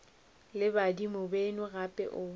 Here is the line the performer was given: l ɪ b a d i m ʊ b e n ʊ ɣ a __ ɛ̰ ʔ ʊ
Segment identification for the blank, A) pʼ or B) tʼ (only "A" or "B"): A